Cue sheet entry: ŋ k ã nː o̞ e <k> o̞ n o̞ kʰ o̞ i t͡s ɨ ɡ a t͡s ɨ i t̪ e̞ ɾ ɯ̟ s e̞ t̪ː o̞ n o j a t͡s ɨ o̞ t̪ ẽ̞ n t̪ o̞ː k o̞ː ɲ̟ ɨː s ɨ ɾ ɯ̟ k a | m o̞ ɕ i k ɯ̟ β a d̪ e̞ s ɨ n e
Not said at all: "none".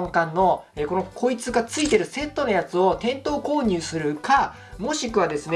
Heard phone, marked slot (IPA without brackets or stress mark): k